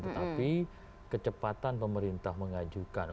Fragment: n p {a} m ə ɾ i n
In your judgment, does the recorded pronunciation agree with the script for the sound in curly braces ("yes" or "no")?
no